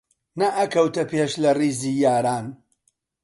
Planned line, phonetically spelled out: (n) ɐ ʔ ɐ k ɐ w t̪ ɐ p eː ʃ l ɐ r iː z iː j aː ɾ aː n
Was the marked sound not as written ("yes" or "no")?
no